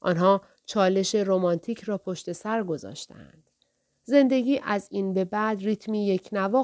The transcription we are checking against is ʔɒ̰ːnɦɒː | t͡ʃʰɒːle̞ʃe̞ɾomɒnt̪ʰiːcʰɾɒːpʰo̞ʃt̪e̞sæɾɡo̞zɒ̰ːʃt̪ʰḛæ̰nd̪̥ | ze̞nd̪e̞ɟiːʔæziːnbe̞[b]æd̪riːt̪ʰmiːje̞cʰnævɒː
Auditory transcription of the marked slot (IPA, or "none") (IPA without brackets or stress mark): b